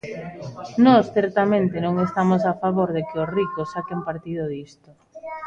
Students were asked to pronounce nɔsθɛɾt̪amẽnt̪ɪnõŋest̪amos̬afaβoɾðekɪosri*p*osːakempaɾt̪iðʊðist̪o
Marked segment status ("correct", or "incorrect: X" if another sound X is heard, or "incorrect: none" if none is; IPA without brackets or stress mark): incorrect: k